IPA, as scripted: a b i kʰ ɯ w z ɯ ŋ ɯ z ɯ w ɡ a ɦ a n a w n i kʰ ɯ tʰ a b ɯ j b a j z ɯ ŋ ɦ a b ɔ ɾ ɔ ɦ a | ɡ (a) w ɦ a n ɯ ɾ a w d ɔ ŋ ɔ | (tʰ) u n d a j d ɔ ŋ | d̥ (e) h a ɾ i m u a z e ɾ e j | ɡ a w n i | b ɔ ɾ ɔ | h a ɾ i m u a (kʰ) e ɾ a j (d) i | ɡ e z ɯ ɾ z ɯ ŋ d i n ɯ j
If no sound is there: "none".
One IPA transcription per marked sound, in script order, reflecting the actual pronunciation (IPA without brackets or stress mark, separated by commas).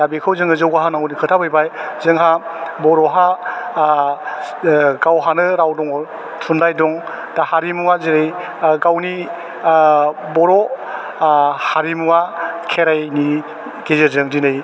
a, tʰ, a, kʰ, n